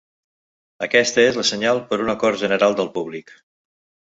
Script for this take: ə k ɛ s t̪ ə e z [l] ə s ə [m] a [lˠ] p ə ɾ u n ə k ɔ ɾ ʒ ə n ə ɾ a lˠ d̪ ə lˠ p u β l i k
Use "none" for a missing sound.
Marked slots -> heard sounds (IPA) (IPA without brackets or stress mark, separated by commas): l, ɲ, lˠ